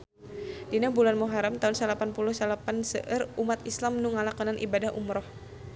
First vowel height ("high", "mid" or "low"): high